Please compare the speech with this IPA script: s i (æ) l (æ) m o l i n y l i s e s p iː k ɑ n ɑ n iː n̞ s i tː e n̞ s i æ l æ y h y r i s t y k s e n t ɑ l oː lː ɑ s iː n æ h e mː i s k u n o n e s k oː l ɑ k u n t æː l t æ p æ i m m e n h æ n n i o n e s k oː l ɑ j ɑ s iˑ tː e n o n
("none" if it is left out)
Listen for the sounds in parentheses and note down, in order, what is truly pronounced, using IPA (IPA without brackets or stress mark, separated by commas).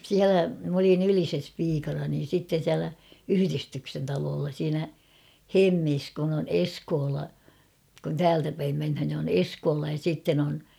æ, æ